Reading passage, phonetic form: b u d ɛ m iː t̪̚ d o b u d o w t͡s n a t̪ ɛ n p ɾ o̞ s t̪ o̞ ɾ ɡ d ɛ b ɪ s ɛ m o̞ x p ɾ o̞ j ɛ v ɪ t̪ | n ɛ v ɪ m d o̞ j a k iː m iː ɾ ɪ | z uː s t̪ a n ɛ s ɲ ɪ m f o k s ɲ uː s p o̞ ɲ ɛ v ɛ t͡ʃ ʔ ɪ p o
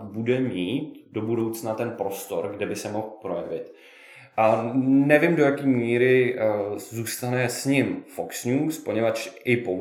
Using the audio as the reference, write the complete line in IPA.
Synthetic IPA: b u d ɛ m iː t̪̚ d o b u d o w t͡s n a t̪ ɛ n p ɾ o̞ s t̪ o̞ ɾ ɡ d ɛ b ɪ s ɛ m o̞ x p ɾ o̞ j ɛ v ɪ t̪ | n ɛ v ɪ m d o̞ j a k iː m iː ɾ ɪ | z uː s t̪ a n ɛ s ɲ ɪ m f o k s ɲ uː s p o̞ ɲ ɛ v a t͡ʃ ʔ ɪ p o